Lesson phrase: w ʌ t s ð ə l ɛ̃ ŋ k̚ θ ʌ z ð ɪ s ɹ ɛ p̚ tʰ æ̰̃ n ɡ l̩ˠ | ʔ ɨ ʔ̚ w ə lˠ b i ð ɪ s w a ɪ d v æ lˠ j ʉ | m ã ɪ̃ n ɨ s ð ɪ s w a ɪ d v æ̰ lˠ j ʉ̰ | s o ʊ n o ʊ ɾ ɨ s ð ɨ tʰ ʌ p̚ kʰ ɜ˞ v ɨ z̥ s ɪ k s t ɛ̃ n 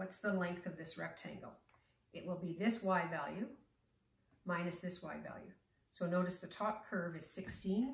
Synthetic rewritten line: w ʌ t s ð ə l ɛ̃ ŋ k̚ θ ʌ v ð ɪ s ɹ ɛ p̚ tʰ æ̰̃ ŋ ɡ l̩ˠ | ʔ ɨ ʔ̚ w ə lˠ b i ð ɪ s w a ɪ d v æ lˠ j ʉ | m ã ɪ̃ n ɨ s ð ɪ s w a ɪ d v æ̰ lˠ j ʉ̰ | s o ʊ n o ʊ ɾ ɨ s ð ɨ tʰ ɔ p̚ kʰ ɜ˞ v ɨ z̥ s ɪ k s t ĩ n